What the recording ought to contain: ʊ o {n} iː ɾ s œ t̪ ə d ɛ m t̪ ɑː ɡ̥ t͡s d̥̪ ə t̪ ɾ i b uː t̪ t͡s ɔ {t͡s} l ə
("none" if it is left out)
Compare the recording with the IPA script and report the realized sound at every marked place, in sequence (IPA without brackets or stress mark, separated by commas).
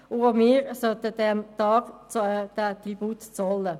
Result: m, none